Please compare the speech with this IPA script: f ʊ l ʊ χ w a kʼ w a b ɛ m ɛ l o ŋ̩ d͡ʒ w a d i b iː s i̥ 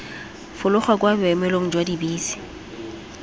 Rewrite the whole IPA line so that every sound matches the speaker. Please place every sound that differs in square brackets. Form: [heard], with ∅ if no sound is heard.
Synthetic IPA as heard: f ʊ l ʊ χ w a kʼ w a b ɛ m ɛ l o ŋ̩ d͡ʒ w a d i b iː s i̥